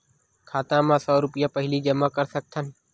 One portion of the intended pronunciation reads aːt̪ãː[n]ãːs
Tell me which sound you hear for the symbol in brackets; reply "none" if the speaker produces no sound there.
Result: m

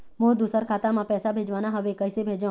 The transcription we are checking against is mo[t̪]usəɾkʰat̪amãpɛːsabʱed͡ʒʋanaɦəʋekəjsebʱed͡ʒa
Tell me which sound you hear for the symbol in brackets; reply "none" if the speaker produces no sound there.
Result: d̪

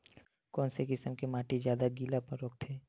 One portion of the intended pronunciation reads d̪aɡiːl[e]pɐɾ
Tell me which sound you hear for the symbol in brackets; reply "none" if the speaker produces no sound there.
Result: a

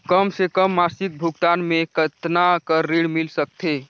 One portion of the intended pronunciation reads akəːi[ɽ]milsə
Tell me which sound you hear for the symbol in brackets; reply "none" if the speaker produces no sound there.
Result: ɽ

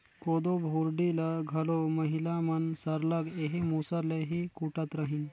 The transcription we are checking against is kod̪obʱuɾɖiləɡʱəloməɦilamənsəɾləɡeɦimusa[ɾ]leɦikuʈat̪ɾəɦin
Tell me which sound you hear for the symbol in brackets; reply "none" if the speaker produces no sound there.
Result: ɾ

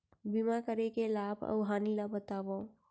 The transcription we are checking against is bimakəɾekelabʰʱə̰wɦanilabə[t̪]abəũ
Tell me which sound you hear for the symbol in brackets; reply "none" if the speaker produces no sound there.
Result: t̪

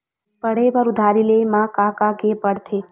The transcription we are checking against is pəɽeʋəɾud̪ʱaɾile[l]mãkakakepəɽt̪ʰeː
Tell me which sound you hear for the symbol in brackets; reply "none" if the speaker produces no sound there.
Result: none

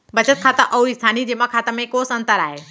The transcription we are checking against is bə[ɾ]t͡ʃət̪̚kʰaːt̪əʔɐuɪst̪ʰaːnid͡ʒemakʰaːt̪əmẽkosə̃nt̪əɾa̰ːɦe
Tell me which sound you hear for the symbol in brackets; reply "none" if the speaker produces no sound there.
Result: none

